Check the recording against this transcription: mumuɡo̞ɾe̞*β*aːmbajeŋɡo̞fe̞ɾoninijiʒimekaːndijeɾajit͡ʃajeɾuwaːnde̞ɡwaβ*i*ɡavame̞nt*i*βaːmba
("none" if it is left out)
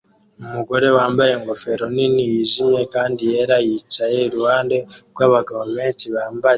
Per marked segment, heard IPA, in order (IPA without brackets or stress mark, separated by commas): w, a, i